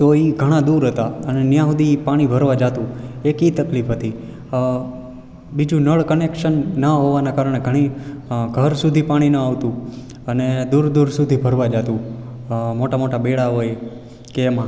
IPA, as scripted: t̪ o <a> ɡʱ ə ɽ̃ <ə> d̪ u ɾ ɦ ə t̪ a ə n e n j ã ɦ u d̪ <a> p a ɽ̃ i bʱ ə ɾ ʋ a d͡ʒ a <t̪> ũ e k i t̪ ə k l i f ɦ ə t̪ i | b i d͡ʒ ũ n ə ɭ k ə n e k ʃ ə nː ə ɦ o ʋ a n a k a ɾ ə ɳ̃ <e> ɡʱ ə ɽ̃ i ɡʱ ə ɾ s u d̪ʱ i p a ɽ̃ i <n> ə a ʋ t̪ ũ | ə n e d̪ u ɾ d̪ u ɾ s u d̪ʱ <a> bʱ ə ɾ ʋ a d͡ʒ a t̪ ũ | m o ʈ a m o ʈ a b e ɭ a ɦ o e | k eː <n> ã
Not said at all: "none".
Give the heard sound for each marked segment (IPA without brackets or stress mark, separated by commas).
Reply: i, a, i, t̪, e, n, i, m